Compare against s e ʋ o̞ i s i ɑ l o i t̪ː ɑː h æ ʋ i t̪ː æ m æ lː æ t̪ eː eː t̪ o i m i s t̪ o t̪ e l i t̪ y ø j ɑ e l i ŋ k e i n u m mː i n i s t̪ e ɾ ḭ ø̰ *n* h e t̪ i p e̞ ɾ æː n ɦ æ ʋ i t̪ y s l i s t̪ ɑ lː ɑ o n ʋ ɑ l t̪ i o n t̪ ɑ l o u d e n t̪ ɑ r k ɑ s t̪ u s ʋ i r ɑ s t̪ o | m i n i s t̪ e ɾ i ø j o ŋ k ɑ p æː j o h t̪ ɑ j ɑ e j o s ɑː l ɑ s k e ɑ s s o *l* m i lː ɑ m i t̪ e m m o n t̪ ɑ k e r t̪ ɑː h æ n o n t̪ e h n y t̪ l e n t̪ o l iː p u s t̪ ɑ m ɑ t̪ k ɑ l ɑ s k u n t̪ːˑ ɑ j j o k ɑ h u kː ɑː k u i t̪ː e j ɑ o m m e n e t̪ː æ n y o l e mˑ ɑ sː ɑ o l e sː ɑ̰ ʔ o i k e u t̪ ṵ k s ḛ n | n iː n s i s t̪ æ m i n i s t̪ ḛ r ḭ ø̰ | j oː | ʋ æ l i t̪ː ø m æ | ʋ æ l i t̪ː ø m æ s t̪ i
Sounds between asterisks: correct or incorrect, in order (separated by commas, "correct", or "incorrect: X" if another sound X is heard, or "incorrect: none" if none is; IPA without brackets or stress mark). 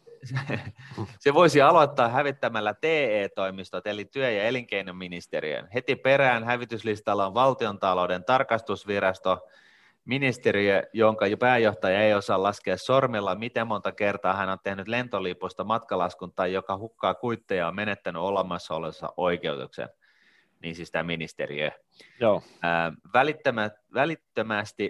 correct, incorrect: r